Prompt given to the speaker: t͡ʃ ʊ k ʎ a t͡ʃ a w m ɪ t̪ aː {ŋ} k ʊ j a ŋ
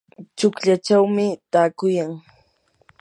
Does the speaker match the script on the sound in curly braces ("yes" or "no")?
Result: no